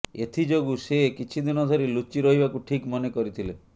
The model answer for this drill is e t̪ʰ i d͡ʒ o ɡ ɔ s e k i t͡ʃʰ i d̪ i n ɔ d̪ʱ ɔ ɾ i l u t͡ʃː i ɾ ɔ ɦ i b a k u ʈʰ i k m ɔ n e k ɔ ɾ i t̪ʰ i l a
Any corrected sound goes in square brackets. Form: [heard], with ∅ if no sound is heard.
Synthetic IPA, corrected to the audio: e t̪ʰ i d͡ʒ o ɡ [u] s e k i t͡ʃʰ i d̪ i n ɔ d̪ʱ ɔ ɾ i l u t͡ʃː i ɾ ɔ ɦ i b a k u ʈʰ i k m ɔ n e k ɔ ɾ i t̪ʰ i l [e]